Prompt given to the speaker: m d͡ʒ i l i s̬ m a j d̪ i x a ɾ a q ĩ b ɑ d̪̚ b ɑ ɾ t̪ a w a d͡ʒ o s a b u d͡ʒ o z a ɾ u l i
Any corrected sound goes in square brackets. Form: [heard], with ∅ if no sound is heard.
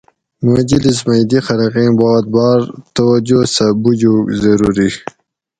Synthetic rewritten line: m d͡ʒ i l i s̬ m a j d̪ i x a ɾ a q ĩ b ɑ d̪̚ b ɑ ɾ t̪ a w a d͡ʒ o s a b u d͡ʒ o z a ɾ u [ɾ] i